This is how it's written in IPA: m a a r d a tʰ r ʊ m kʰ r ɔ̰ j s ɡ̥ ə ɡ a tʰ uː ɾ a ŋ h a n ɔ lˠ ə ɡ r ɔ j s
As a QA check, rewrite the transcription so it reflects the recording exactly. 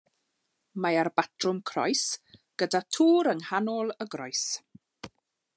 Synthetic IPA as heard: m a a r b a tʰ r ʊ m kʰ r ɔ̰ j s ɡ̥ ə d a tʰ uː ɾ ə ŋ h a n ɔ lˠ ə ɡ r ɔ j s